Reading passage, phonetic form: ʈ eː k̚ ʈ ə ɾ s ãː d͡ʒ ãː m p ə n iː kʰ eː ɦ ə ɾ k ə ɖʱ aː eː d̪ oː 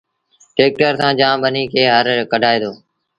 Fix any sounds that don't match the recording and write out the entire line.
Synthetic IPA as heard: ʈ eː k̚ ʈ ə ɾ s ãː d͡ʒ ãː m b ə n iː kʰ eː ɦ ə ɾ k ə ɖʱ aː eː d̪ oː